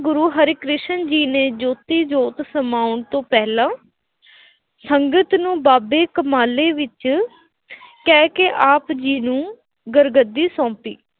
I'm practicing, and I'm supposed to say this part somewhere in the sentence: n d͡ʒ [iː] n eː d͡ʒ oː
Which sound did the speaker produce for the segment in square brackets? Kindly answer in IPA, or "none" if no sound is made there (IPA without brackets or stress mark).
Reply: iː